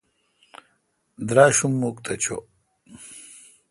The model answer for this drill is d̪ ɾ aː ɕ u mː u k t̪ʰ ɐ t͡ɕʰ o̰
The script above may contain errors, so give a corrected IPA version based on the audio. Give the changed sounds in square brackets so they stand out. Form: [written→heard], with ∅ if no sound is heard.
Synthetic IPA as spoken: d̪ ɾ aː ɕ u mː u k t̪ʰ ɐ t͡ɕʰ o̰